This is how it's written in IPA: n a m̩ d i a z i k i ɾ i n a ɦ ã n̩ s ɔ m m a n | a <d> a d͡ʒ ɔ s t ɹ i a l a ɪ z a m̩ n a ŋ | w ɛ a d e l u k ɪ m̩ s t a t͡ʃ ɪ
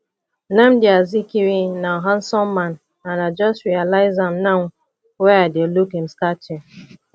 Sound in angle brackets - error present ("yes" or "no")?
yes